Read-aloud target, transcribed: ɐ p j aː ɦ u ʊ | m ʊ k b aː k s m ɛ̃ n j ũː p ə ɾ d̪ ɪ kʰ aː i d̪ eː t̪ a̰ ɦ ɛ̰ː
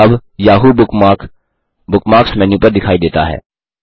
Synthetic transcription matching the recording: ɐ b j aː ɦ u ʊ | b ʊ k m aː k s m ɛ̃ n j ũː p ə ɾ d̪ ɪ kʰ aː i d̪ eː t̪ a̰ ɦ ɛ̰ː